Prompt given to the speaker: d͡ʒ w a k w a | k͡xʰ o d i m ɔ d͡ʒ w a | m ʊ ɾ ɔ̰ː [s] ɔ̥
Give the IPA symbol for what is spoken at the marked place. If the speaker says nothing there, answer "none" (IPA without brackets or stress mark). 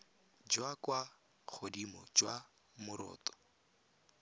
t